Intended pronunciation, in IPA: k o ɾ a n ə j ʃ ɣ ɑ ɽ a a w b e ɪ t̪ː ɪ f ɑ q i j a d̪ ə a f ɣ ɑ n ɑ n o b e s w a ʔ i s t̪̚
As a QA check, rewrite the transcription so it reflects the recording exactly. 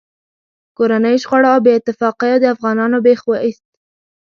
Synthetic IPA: k o ɾ a n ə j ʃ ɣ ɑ ɽ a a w b e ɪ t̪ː ɪ f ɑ q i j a d̪ ə a f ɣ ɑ n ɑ n o b e x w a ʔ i s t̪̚